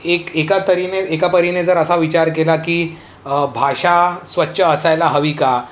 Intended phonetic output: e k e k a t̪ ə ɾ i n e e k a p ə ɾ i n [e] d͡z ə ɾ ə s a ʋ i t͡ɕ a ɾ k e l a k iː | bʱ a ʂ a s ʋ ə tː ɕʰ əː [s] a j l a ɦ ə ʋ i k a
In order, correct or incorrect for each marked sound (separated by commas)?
correct, correct